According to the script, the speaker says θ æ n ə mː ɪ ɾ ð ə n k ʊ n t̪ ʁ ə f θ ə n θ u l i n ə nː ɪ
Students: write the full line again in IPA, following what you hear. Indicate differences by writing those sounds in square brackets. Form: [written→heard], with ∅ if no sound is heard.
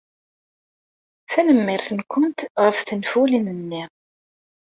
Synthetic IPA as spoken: θ æ n ə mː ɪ ɾ [ð→θ] ə n k ʊ n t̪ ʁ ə f θ ə n [θ→f] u l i n ə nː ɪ